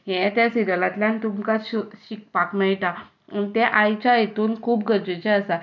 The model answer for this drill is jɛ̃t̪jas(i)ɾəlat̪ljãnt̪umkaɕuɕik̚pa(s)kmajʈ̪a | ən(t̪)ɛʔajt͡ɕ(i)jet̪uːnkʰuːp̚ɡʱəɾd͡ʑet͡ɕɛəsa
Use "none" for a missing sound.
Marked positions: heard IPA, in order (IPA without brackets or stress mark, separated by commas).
i, none, t̪, a